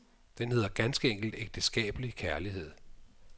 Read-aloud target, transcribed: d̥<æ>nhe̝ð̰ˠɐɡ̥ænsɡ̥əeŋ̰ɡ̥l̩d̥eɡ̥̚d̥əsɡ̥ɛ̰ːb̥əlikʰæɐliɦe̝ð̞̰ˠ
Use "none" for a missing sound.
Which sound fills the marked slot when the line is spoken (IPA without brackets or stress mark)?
e